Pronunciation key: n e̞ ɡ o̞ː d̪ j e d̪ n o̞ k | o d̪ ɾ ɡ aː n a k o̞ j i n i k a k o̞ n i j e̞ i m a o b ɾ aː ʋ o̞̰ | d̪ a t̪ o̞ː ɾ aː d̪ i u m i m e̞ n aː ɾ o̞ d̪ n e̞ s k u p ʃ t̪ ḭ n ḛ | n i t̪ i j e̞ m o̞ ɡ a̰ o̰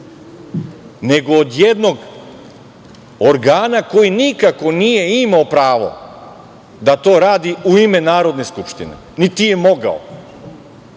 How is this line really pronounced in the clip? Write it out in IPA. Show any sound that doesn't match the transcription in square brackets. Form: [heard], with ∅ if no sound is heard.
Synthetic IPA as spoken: n e̞ ɡ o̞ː d̪ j e d̪ n o̞ [ɡ] | o [∅] ɾ ɡ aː n a k o̞ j i n i k a k o̞ n i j e̞ i m a o [p] ɾ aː ʋ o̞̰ | d̪ a t̪ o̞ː ɾ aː d̪ i u [∅] i m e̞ n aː ɾ o̞ d̪ n e̞ s k u p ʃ t̪ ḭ n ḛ | n i t̪ i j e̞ m o̞ ɡ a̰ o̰